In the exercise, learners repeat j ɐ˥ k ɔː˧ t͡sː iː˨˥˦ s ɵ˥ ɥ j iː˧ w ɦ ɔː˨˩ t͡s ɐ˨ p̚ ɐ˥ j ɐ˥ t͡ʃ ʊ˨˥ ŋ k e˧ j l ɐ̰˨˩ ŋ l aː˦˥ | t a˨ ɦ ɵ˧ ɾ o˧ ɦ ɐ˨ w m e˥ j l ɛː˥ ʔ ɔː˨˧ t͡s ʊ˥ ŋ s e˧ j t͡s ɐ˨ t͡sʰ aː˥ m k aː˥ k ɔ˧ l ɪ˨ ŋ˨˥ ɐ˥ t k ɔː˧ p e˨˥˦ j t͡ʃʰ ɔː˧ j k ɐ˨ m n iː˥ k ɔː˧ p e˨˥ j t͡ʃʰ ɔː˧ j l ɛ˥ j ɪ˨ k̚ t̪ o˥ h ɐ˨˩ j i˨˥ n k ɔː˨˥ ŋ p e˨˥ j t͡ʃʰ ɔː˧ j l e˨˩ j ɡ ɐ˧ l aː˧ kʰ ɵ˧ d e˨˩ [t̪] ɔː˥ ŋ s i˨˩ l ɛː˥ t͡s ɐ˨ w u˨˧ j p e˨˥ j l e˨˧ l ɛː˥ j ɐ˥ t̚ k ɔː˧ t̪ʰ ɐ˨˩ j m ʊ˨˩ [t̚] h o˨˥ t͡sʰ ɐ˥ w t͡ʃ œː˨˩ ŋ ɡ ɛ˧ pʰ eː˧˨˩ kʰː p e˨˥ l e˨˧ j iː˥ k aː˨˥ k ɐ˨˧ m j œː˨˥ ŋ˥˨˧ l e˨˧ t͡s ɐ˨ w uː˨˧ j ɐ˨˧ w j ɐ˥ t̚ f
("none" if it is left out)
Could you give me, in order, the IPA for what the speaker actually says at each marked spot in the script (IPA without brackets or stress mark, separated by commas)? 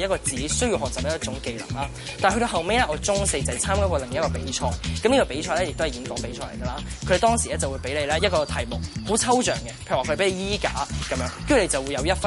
t̪, k̚